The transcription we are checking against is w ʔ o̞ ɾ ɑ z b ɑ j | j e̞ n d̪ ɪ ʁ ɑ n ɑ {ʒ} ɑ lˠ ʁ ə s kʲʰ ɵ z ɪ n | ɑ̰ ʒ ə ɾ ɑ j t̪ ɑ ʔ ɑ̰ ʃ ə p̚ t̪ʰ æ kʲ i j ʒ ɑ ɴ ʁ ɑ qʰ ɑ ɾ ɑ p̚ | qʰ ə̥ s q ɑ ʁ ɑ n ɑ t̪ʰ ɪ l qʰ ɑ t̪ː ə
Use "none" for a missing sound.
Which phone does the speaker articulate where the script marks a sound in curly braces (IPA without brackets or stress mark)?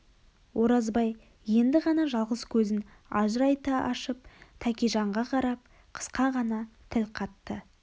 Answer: ʒ